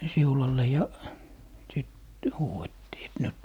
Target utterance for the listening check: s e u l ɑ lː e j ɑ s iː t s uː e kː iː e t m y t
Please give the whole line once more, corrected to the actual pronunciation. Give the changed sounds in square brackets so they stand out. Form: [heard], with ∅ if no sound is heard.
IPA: s [i] u l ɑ lː e j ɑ s [i] t [h] uː e [tː] iː e t [n] y t